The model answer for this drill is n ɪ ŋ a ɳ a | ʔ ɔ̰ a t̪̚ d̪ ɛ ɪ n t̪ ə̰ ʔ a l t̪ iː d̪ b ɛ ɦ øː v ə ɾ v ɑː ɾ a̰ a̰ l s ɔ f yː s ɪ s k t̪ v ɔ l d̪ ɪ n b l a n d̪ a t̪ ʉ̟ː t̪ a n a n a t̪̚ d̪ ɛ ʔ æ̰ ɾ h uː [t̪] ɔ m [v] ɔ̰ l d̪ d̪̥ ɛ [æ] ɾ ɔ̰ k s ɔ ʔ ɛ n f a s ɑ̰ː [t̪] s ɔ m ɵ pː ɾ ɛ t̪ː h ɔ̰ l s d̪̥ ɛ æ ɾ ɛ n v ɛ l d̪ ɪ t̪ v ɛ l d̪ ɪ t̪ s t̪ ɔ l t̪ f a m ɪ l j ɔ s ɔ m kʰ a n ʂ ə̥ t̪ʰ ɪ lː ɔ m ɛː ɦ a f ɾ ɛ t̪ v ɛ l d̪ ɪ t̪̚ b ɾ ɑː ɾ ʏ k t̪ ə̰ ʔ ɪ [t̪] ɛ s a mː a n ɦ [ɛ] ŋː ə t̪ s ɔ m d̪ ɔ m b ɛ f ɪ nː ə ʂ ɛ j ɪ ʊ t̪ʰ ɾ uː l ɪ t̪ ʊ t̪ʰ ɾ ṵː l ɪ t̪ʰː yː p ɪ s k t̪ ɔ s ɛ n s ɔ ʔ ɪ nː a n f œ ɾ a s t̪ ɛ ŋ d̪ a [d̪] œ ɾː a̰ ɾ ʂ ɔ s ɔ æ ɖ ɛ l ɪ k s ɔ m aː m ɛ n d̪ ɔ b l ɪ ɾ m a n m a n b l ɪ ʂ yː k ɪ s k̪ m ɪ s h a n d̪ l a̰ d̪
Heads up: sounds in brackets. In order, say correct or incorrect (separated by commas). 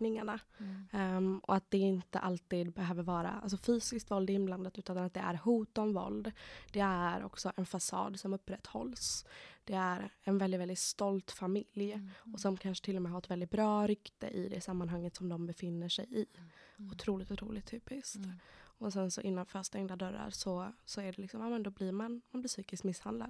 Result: correct, correct, correct, incorrect, incorrect, incorrect, correct